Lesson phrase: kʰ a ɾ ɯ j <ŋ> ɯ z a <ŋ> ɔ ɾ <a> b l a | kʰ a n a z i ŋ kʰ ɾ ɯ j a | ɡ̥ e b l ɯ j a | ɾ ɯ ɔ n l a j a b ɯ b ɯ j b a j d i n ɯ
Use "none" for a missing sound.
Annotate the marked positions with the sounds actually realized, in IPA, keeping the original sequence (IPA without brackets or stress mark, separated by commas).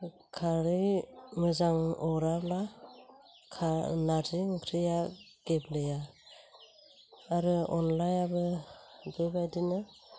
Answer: ŋ, ŋ, a